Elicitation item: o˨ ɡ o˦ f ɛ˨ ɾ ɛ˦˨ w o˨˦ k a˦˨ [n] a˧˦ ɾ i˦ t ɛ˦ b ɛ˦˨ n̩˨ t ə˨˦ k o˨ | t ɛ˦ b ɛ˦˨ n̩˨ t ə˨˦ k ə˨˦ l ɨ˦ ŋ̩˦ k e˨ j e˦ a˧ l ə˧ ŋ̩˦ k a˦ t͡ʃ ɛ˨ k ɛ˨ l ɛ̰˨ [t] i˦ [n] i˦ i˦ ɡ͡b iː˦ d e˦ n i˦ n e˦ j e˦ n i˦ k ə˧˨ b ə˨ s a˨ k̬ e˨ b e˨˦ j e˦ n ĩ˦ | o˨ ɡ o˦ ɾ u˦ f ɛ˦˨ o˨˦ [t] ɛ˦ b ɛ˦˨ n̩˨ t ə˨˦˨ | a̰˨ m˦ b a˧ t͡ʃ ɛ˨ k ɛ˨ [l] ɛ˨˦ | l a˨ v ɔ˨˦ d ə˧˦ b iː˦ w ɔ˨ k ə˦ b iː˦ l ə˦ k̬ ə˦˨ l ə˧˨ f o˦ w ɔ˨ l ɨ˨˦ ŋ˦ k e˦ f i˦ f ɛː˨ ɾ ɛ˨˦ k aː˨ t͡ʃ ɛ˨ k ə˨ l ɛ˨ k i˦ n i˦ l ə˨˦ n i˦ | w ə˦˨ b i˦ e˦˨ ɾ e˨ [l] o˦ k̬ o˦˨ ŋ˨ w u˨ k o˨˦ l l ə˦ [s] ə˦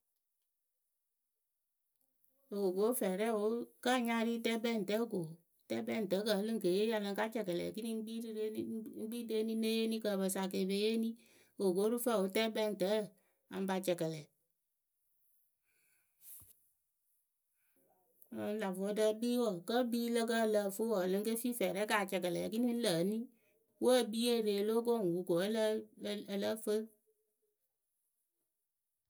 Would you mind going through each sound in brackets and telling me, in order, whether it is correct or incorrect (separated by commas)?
incorrect, incorrect, correct, correct, correct, correct, incorrect